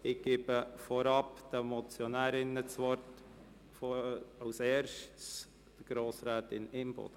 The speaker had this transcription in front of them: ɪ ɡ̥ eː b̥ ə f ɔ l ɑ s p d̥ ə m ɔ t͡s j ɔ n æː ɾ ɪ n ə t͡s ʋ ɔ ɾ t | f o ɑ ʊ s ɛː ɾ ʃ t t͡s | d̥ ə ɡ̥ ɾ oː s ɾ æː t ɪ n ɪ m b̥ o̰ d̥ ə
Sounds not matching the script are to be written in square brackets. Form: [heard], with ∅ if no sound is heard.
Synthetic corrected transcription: ɪ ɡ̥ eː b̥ ə f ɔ [ɾ] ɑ [∅] p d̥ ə m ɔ t͡s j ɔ n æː ɾ ɪ n ə t͡s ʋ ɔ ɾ t | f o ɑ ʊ s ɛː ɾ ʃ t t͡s | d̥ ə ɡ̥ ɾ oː s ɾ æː t ɪ n ɪ m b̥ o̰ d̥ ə

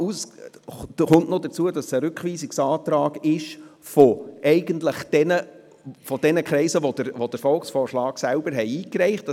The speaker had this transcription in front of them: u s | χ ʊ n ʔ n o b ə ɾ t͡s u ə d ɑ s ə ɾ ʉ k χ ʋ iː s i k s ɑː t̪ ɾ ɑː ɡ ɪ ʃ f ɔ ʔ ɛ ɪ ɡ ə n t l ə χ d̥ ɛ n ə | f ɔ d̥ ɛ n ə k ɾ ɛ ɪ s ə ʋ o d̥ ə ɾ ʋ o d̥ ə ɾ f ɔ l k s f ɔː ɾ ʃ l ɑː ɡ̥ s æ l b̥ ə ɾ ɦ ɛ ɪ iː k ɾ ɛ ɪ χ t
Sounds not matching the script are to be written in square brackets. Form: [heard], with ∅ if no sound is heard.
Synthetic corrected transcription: u s | χ ʊ n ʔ n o [d] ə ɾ t͡s u ə d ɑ s ə ɾ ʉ k χ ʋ iː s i k s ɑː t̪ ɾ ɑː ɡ ɪ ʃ f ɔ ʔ ɛ ɪ ɡ ə n t l ə χ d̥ ɛ n ə | f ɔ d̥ ɛ n ə k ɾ ɛ ɪ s ə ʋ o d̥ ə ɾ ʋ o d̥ ə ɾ f ɔ l k s f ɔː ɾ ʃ l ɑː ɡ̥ s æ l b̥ ə ɾ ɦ ɛ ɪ iː k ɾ ɛ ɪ χ t

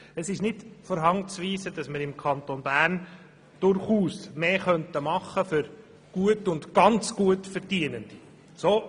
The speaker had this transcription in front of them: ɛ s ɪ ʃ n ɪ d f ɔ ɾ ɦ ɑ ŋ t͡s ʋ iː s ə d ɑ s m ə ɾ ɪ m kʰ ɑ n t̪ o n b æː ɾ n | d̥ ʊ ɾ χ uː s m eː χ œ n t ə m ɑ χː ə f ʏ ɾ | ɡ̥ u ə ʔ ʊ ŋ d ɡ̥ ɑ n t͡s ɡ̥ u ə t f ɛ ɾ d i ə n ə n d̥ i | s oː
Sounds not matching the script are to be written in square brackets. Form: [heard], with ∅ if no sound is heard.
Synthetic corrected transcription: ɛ s ɪ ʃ n ɪ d f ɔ ɾ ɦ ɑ ŋ t͡s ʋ iː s ə d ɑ s m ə ɾ ɪ m kʰ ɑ n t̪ o n b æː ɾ n | d̥ ʊ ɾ χ uː s m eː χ œ n t ə m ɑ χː ə f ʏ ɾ | ɡ̥ u ə [t] ʊ [n] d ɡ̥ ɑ n t͡s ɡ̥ u ə t f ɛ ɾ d i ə n ə n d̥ i | s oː

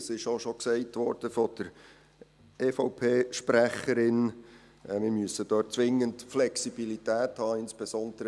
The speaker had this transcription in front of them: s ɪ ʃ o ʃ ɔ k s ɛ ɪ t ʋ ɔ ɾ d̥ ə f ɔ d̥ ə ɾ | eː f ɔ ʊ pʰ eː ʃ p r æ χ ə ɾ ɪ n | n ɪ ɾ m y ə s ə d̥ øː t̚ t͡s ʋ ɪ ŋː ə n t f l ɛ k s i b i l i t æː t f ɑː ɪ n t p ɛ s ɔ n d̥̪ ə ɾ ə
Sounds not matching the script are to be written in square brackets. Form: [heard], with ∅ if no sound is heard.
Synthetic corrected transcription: s ɪ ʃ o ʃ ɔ k s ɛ ɪ t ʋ ɔ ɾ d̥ ə f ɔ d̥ ə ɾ | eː f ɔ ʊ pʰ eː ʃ p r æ χ ə ɾ ɪ n | [m] ɪ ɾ m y ə s ə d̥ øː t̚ t͡s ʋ ɪ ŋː ə n t f l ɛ k s i b i l i t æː t [h] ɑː ɪ n [s] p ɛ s ɔ n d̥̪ ə ɾ ə

